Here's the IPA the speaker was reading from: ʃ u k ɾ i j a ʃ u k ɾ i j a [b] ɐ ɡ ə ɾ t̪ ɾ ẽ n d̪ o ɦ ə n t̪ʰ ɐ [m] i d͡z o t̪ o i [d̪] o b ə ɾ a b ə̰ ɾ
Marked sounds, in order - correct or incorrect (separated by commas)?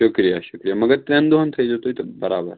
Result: incorrect, incorrect, incorrect